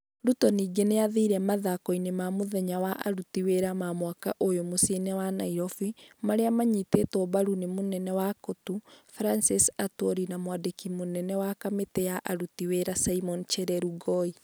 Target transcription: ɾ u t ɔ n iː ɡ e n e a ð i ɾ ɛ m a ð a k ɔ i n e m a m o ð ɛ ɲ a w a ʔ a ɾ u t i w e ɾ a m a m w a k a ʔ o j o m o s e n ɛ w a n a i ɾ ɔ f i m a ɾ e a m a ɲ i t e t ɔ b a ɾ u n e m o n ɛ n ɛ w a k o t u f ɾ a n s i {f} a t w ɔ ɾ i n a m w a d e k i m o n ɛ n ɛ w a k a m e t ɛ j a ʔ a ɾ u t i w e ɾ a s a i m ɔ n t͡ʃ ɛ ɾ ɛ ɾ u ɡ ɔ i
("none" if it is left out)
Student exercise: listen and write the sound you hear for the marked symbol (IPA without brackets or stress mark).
s